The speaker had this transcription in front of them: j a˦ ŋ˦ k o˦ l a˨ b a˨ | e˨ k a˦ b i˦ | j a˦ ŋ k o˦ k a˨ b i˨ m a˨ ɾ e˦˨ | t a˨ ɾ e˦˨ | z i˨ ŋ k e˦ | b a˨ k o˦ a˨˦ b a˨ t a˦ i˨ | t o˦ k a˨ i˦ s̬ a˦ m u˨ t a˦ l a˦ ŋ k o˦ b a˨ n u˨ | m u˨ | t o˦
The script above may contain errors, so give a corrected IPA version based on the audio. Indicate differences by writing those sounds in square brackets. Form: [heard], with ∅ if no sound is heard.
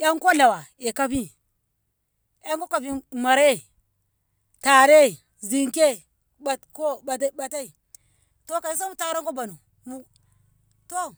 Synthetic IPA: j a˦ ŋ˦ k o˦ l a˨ [w] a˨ | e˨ k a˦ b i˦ | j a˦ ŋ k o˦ k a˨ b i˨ m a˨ ɾ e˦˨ | t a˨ ɾ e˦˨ | z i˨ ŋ k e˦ | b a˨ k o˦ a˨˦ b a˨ t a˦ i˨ | t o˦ k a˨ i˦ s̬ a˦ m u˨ t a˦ [ɾ] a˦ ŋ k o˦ b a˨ n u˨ | m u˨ | t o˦